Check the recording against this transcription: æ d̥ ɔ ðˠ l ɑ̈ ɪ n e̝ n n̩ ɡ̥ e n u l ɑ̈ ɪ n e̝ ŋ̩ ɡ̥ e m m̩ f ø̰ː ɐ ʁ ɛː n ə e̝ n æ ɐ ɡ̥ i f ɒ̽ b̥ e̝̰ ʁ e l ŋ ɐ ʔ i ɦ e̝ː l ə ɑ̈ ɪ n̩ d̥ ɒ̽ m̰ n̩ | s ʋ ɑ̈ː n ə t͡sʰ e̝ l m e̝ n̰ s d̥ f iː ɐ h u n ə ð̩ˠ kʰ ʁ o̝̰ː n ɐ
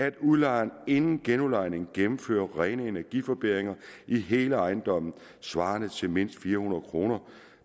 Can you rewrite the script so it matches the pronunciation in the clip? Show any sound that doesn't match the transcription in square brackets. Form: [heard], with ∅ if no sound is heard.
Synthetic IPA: æ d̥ [u] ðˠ l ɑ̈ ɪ n e̝ n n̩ ɡ̥ e n u l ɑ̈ ɪ n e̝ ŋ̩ ɡ̥ e m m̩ f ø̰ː ɐ ʁ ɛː n ə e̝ n æ ɐ ɡ̥ i f ɒ̽ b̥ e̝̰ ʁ e [∅] ŋ ɐ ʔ i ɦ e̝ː l ə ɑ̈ ɪ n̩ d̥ ɒ̽ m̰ n̩ | s ʋ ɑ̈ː n ə t͡sʰ e̝ l m e̝ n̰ s d̥ f iː ɐ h u n [ɐ] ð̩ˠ kʰ ʁ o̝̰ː n ɐ

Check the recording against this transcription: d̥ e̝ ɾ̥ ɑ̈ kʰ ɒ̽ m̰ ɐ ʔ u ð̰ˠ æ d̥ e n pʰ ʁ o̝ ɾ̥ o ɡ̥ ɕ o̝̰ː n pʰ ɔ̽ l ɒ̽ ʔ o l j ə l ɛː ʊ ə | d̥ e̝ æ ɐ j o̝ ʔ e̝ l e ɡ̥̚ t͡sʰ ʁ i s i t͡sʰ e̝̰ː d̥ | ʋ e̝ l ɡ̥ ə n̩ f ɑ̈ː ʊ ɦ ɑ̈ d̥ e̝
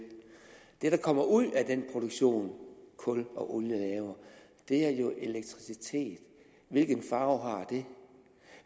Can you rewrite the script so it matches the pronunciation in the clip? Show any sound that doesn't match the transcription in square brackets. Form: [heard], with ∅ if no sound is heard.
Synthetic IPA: d̥ e̝ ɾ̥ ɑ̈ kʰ ɒ̽ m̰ ɐ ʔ u ð̰ˠ æ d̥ e n pʰ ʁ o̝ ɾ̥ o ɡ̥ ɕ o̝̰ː n [kʰ] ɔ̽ l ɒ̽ ʔ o l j ə l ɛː ʊ [ɐ] | d̥ e̝ æ ɐ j o̝ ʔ e̝ l e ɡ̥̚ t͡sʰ ʁ i s i t͡sʰ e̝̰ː d̥ | ʋ e̝ l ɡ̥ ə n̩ f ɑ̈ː ʊ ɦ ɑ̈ d̥ e̝

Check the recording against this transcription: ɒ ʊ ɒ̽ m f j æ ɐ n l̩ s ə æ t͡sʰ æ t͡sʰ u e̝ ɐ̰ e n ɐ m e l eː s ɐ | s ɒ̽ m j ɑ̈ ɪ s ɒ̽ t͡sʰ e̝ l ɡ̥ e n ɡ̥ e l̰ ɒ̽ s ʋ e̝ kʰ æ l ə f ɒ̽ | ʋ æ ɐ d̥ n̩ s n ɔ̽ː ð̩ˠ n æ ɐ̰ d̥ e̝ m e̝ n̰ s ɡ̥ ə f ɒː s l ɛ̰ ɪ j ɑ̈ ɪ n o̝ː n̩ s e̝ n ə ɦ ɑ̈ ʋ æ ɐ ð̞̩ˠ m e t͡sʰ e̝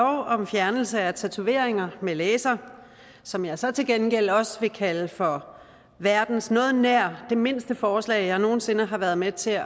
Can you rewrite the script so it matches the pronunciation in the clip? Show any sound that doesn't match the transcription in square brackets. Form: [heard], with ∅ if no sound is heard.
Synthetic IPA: ɒ ʊ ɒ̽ m f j æ ɐ n l̩ s ə æ t͡sʰ æ t͡sʰ u e̝ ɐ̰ e [ŋ] ɐ m e l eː s ɐ | s ɒ̽ m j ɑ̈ ɪ s ɒ̽ t͡sʰ e̝ l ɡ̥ e n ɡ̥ e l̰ ɒ̽ s ʋ e̝ kʰ æ l ə f ɒ̽ | ʋ æ ɐ d̥ n̩ s n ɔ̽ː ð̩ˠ n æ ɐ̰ d̥ e̝ m e̝ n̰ s [d̥] ə f ɒː s l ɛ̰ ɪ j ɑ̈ ɪ n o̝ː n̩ s e̝ n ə ɦ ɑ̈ ʋ æ ɐ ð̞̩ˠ m e t͡sʰ e̝

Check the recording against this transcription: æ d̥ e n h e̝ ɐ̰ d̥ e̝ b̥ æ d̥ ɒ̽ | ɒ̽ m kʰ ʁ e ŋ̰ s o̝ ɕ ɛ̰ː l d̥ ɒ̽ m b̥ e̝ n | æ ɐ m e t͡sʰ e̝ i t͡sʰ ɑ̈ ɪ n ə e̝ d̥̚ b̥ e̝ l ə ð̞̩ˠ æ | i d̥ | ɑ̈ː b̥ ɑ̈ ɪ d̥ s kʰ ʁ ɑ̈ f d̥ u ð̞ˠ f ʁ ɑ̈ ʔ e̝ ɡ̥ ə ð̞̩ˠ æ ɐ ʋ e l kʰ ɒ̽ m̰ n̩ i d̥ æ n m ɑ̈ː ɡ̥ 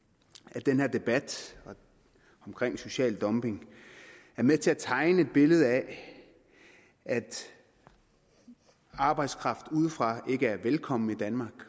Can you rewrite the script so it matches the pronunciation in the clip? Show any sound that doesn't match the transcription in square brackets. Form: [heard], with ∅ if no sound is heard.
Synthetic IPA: æ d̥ e n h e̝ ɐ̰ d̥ e̝ b̥ æ d̥ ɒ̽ | ɒ̽ m kʰ ʁ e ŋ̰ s o̝ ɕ ɛ̰ː l d̥ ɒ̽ m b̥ e̝ [ŋ] | æ ɐ m e t͡sʰ e̝ [æ] t͡sʰ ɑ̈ ɪ n ə e̝ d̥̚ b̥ e̝ l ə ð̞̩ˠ æ | [æ] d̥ | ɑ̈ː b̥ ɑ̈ ɪ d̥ s kʰ ʁ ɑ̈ f d̥ u ð̞ˠ f ʁ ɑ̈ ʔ e̝ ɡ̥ ə [∅] æ ɐ ʋ e l kʰ ɒ̽ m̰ n̩ i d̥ æ n m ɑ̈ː ɡ̥

